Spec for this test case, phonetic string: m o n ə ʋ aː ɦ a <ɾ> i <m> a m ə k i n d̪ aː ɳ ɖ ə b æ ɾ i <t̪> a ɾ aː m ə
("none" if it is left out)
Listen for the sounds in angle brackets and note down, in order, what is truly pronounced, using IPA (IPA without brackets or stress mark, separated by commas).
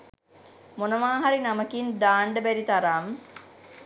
ɾ, n, t̪